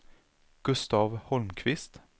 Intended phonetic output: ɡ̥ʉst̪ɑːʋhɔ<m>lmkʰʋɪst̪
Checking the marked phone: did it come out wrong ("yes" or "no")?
yes